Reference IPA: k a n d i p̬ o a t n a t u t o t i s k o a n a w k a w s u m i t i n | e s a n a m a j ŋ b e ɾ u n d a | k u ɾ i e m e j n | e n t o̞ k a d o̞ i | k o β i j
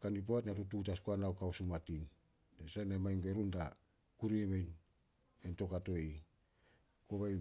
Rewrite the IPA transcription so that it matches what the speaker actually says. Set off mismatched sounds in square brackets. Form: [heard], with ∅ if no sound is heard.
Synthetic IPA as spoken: k a n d i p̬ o a t n a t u t [u] t [a] s k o a n a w k a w s u m [a] t i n | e s a n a m a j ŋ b e ɾ u n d a | k u ɾ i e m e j n | e n t o̞ k a [t] o̞ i | k o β [a] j